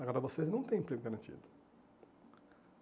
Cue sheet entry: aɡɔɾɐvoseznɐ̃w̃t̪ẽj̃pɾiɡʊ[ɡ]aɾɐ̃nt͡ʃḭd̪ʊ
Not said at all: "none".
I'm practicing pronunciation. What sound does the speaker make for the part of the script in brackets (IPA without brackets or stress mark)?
ɡ